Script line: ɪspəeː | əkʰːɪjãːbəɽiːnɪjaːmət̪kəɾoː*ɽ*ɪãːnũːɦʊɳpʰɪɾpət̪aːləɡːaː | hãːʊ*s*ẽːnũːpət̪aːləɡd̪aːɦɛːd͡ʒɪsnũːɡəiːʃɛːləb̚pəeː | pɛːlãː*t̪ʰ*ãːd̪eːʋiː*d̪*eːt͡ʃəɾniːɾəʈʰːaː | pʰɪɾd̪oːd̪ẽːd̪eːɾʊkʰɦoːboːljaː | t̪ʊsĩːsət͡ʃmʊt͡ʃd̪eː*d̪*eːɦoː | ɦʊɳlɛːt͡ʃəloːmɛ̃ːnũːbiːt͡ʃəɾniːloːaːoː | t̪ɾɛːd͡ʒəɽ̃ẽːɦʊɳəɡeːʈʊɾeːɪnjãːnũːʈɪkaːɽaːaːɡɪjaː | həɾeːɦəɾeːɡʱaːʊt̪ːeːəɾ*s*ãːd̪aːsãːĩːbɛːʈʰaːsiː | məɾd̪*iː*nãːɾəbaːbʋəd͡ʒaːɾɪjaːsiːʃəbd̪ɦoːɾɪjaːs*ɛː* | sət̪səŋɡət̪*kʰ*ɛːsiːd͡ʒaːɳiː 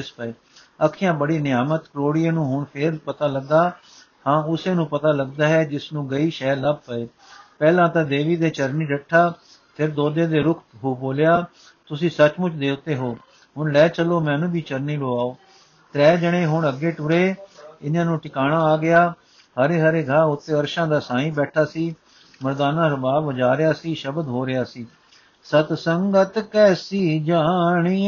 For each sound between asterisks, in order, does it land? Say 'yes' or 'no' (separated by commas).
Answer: yes, yes, no, yes, no, no, no, no, no